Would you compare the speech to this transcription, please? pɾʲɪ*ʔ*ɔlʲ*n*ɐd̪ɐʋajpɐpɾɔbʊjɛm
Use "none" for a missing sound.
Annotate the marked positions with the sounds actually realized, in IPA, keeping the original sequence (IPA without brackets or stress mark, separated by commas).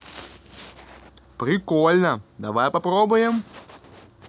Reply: k, n